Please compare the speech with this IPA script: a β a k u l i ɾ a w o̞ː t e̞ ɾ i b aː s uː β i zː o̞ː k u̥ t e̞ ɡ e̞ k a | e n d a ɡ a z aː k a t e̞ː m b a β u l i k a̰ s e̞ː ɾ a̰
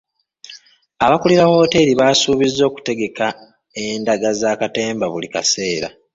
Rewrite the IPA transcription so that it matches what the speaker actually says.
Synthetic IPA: a β a k u l i ɾ a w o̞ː t e̞ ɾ i β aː s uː β i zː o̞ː k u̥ t e̞ ɡ e̞ k a | e n d a ɡ a z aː k a t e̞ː m b a β u l i k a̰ s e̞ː ɾ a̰